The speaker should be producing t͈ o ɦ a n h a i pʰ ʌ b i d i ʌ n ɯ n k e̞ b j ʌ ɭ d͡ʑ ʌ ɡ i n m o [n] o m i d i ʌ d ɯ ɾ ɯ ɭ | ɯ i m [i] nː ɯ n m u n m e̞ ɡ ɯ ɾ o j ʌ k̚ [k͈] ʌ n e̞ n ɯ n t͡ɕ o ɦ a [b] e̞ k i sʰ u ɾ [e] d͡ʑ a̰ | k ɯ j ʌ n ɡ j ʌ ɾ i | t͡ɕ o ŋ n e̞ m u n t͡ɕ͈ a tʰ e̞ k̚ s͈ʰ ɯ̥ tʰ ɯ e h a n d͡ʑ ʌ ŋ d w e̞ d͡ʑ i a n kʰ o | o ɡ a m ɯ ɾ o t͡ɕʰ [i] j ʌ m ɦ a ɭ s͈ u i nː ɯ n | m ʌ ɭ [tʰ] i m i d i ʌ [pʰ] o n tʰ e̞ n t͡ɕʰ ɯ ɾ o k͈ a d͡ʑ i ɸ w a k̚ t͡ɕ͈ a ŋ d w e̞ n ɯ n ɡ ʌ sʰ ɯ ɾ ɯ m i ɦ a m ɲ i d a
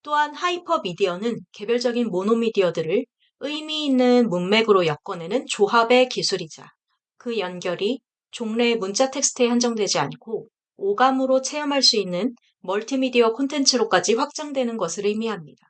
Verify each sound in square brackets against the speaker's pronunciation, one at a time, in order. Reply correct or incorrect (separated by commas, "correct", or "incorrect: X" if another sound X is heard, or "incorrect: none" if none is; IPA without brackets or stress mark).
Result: correct, incorrect: iː, correct, correct, incorrect: i, incorrect: e, correct, incorrect: kʰ